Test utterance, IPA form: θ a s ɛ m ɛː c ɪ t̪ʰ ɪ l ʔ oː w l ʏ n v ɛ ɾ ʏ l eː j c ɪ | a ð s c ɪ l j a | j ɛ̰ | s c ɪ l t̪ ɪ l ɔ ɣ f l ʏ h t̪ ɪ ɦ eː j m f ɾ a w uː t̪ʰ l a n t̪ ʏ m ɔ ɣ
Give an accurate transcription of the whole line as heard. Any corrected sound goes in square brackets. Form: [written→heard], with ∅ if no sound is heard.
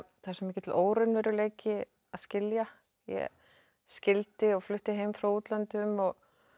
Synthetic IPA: θ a s ɛ m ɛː c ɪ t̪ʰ ɪ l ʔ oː w [l→ɾ] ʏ n v ɛ ɾ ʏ l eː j c ɪ | a ð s c ɪ l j a | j ɛ̰ | s c ɪ l t̪ ɪ [l→∅] ɔ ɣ f l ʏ h t̪ ɪ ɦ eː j m f ɾ a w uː [t̪ʰ→t̪] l a n t̪ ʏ m ɔ ɣ